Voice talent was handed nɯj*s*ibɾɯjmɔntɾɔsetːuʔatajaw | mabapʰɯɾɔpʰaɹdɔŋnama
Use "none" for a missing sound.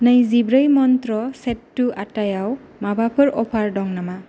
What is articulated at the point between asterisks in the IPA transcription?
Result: z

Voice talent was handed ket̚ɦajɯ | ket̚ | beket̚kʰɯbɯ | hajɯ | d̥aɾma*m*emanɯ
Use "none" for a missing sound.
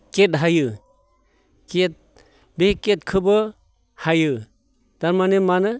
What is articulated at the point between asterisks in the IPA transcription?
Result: n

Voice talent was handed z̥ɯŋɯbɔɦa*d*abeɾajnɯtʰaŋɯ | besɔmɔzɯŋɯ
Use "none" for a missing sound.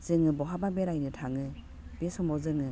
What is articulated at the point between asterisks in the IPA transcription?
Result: b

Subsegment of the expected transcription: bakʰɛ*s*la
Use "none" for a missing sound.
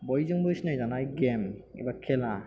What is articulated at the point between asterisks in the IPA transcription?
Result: none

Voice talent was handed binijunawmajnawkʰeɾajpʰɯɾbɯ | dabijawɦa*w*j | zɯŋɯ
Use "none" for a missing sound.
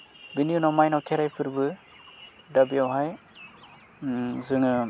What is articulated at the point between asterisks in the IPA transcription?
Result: none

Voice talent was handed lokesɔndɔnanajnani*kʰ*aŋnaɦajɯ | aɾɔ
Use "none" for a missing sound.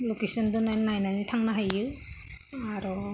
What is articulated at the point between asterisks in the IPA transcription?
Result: tʰ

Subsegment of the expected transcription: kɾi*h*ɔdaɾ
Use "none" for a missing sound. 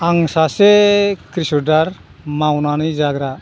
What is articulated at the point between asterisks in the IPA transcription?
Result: s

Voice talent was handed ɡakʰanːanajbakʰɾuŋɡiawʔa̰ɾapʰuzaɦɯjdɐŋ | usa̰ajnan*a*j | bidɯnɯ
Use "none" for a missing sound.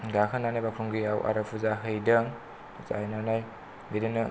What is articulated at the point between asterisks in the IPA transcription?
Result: a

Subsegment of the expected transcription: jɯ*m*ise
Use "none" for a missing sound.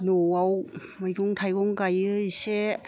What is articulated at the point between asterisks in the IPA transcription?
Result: none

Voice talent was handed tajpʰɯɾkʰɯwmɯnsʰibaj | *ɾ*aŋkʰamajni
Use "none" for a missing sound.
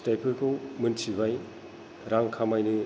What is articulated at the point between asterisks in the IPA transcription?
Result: ɾ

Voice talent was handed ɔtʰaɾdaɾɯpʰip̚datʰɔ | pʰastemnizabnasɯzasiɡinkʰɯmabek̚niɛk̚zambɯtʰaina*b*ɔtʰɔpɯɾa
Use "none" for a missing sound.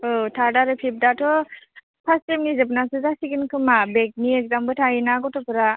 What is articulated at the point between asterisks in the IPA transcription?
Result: ɡ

